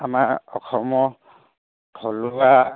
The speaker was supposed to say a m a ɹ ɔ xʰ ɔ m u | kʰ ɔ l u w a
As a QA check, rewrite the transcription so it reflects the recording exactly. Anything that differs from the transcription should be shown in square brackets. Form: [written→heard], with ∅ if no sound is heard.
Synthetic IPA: a m a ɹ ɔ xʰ ɔ m [u→ɔ] | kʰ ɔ l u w a

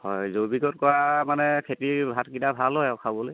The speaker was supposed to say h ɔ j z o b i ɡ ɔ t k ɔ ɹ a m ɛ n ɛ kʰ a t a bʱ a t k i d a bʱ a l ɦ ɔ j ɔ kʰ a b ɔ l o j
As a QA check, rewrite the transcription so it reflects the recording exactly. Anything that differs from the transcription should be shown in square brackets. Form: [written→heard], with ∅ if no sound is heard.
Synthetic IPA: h ɔ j z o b i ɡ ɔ t k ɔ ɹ a m [ɛ→a] n ɛ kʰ [a→e] t [a→i] bʱ a t k i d a bʱ a l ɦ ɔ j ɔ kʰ a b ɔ l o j

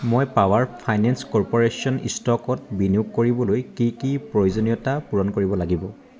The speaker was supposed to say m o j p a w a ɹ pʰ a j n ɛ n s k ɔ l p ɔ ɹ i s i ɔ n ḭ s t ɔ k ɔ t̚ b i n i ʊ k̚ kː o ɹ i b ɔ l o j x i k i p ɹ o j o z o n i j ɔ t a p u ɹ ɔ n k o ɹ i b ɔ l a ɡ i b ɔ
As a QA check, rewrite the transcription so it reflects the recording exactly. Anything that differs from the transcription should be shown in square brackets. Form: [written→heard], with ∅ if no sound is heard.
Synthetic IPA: m o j p a w a ɹ pʰ a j n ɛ n s k ɔ [l→ɹ] p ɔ ɹ [i→e] s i ɔ n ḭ s t ɔ k ɔ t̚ b i n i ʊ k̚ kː o ɹ i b ɔ l o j [x→k] i k i p ɹ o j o z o n i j ɔ t a p u ɹ ɔ n k o ɹ i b ɔ l a ɡ i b ɔ

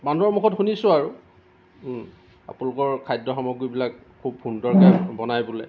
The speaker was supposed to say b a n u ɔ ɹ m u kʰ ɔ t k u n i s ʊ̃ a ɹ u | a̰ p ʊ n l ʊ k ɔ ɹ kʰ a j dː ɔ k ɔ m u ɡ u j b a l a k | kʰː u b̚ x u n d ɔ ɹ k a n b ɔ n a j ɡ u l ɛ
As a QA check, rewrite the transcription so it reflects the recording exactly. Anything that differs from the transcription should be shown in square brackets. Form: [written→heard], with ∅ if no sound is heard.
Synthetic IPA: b a n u ɔ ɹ m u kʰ ɔ t [k→x] u n i s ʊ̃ a ɹ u | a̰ p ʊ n l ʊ k ɔ ɹ kʰ a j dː ɔ [k→x] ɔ m [u→ɔ] ɡ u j b [a→i] l a k | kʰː u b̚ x u n d ɔ ɹ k a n b ɔ n a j [ɡ→b] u l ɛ

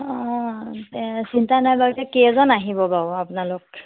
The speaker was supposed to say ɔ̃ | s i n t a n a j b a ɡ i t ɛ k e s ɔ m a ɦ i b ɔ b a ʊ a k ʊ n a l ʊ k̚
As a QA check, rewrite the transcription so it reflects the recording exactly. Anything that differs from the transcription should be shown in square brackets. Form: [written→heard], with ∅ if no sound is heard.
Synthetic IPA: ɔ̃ | s i n t a n a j b a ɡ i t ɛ k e [s→z] ɔ [m→n] a ɦ i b ɔ b a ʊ a [k→p] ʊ n a l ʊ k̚

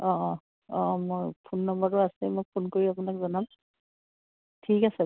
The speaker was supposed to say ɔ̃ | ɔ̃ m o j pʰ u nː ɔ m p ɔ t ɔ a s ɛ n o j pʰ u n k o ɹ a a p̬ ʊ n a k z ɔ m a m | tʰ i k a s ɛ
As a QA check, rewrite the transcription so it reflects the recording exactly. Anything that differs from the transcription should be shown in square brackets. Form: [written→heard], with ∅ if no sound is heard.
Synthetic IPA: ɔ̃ | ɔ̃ m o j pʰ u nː ɔ m [p→b] ɔ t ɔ a s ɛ [n→m] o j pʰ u n k o ɹ [a→i] a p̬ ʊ n a k z ɔ [m→n] a m | tʰ i k a s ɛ

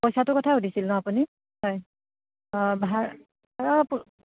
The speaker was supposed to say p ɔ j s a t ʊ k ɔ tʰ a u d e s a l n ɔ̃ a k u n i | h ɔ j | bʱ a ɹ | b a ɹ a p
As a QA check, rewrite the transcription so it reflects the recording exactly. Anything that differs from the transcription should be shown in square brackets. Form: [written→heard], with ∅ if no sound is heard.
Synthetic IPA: p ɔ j s a t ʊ k ɔ tʰ a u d [e→i] s [a→i] l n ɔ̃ a [k→p] u n i | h ɔ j | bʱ a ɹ | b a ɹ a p

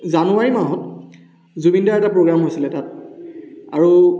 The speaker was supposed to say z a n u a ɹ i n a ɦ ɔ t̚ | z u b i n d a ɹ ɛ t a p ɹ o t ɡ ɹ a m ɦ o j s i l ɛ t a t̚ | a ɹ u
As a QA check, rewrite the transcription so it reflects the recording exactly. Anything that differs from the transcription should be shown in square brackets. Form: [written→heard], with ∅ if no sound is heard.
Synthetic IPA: z a n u a ɹ i [n→m] a ɦ ɔ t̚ | z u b i n d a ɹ ɛ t a p ɹ o [t→∅] ɡ ɹ a m ɦ o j s i l ɛ t a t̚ | a ɹ u

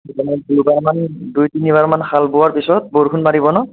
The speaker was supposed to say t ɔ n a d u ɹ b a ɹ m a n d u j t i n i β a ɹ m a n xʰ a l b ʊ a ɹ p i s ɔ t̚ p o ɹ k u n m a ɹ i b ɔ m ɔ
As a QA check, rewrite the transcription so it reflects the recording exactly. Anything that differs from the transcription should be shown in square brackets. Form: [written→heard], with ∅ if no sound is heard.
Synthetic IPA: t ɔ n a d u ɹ b a ɹ m a n d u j t i n i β a ɹ m a n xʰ a l b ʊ a ɹ p i s ɔ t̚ [p→b] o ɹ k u n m a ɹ i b ɔ [m→n] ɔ

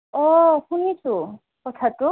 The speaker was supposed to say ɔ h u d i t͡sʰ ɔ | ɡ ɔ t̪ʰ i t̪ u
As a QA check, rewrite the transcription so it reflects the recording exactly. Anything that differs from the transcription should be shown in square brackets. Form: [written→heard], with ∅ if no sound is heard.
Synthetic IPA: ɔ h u [d→n] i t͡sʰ [ɔ→u] | [ɡ→k] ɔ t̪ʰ [i→a] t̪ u

